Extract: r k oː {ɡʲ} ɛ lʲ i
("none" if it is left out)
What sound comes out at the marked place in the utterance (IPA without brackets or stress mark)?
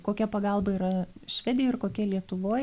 kʲ